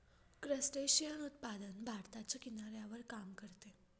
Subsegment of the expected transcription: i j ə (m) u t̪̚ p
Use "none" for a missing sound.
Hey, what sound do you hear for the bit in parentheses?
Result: n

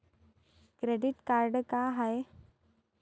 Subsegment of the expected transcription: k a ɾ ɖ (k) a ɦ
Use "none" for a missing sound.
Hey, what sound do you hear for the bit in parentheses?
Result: k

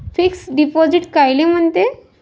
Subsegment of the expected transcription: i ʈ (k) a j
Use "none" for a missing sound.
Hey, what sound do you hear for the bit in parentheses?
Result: k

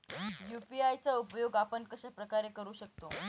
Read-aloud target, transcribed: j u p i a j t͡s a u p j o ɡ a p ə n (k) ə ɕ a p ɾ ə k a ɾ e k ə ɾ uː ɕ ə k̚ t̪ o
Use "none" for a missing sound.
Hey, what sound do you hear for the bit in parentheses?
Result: k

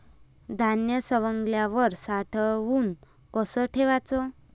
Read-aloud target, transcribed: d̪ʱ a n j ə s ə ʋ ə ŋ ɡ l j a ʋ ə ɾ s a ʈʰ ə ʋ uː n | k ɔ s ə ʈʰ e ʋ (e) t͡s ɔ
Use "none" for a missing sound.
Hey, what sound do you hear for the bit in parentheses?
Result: a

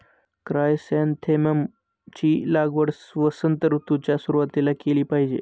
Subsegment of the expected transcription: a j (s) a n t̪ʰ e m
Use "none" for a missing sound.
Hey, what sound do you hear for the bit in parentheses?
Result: s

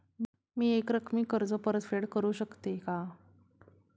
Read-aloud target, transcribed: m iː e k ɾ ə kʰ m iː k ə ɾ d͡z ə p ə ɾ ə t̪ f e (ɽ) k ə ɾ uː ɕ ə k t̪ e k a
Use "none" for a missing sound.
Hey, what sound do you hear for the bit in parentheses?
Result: ɽ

